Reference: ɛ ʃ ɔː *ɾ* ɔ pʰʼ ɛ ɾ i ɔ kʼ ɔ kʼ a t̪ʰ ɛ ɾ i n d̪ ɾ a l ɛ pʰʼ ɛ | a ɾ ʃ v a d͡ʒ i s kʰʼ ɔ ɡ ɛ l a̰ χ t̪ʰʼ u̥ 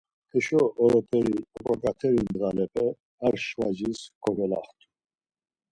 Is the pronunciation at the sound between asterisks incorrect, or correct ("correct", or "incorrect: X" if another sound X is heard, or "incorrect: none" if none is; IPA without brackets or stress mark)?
correct